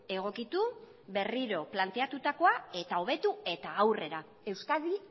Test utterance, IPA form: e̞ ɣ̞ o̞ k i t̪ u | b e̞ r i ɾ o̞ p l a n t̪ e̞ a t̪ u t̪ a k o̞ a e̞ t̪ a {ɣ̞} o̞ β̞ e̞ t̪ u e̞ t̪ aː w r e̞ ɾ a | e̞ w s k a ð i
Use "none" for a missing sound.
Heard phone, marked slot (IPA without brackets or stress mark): none